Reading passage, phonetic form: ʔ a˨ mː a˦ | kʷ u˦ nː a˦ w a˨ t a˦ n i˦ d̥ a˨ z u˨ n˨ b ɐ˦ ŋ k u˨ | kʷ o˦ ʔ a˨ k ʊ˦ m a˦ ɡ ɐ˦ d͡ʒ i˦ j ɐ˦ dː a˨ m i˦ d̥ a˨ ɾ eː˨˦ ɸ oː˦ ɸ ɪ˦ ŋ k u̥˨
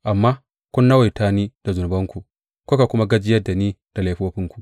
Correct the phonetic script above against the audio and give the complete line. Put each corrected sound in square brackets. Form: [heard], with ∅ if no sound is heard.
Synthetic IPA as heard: ʔ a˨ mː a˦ | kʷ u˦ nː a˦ w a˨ t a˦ n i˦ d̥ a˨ z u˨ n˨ b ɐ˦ ŋ k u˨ | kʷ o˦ [k] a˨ k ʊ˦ m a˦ ɡ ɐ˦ d͡ʒ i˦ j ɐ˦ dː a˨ [n] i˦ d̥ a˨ [l] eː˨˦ ɸ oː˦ ɸ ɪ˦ ŋ k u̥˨